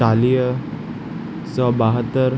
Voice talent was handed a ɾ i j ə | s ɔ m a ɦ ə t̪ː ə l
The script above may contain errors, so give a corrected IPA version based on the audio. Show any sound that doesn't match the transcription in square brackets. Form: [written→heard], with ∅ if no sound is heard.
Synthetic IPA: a [ɾ→l] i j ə | s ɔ [m→b] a ɦ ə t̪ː ə [l→ɾ]